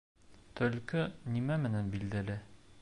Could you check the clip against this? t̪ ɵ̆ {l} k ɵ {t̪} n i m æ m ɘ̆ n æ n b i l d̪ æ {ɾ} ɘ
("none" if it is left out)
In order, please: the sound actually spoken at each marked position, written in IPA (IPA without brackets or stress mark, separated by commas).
l, none, l